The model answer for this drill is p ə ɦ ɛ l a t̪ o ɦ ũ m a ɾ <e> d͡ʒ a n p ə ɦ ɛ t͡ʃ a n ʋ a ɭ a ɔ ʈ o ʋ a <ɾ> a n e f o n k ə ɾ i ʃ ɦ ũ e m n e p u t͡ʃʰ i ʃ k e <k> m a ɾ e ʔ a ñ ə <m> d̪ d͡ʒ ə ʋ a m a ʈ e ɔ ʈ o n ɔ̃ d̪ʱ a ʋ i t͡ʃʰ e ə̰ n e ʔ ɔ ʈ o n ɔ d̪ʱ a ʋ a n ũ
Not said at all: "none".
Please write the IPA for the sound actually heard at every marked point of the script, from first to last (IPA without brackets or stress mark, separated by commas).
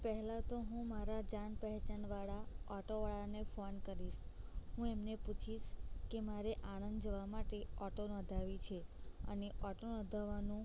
a, ɭ, none, n